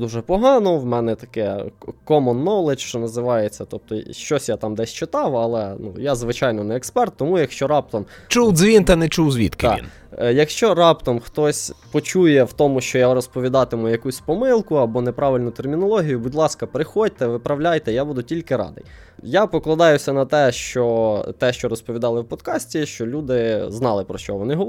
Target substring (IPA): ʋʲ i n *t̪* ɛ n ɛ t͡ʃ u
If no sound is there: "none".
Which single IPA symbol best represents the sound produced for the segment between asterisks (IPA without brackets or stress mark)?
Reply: t̪